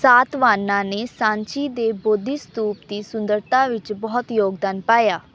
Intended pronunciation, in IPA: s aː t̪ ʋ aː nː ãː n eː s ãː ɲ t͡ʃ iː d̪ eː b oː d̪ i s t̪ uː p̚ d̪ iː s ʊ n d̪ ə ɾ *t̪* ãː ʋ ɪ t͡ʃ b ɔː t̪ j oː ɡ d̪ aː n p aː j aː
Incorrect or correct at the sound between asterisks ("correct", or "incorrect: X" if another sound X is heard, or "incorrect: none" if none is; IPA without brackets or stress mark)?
correct